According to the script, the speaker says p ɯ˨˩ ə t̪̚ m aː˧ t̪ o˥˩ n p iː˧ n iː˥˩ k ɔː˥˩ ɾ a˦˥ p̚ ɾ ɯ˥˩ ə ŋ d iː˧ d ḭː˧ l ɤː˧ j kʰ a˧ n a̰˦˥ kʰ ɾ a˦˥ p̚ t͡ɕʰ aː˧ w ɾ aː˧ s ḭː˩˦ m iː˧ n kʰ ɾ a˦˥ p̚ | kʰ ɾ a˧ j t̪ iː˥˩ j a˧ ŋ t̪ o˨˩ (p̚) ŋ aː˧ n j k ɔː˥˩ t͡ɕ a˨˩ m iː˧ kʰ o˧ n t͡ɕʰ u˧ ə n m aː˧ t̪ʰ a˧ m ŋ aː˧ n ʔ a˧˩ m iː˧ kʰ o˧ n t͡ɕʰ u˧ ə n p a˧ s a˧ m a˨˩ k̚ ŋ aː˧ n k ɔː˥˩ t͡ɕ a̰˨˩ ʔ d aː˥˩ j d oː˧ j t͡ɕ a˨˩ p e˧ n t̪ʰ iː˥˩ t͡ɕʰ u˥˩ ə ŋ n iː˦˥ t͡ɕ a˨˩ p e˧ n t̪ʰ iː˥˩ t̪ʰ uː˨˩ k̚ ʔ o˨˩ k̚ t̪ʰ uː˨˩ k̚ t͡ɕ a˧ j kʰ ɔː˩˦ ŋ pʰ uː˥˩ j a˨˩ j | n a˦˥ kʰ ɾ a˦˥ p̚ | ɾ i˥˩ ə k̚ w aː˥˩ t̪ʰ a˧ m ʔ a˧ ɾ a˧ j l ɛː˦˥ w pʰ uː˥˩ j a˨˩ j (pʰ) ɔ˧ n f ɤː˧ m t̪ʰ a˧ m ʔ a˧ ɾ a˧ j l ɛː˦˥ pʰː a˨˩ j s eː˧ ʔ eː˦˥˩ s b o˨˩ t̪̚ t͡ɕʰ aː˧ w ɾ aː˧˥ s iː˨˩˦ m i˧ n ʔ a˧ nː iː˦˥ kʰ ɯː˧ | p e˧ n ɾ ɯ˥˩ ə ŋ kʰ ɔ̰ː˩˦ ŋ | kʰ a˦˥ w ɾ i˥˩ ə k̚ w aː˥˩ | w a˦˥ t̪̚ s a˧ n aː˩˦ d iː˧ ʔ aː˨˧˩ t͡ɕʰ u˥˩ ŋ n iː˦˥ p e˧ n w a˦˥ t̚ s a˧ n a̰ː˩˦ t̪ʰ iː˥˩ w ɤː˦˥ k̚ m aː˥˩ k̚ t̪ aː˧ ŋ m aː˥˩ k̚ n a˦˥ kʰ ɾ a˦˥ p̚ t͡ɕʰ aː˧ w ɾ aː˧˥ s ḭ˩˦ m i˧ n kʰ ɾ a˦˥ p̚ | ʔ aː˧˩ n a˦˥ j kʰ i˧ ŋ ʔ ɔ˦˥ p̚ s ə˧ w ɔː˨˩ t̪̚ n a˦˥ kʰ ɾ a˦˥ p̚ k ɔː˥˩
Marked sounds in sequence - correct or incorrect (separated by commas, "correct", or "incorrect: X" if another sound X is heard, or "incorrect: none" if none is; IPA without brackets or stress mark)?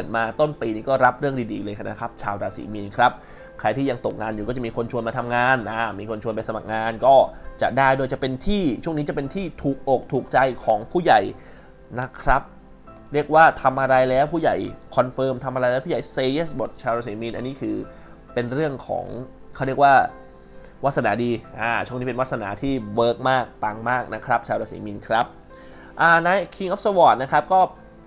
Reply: incorrect: k̚, incorrect: kʰ